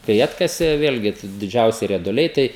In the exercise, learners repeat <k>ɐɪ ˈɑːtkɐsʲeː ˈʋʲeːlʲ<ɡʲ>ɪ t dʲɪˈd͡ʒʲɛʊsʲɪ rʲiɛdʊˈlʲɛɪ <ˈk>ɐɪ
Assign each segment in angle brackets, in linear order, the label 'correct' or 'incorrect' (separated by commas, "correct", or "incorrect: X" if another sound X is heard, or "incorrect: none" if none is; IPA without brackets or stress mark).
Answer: correct, correct, incorrect: t